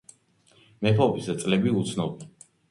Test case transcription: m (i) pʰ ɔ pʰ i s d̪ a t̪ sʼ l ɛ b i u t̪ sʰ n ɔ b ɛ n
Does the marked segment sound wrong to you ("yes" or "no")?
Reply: yes